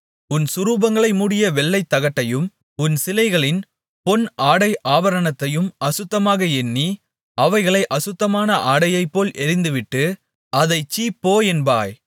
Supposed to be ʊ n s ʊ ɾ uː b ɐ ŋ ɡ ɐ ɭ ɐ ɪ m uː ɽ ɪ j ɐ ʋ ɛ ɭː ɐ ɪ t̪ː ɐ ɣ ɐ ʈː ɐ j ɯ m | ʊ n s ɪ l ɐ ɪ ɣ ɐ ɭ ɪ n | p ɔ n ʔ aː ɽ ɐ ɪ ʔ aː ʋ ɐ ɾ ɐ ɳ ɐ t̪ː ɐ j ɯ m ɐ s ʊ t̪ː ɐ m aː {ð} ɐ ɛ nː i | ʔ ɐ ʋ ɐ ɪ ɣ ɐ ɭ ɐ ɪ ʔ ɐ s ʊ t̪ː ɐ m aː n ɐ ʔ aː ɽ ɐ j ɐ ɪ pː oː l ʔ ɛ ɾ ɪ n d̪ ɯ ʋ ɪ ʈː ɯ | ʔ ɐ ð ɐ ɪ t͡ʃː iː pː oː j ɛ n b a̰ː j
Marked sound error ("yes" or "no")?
yes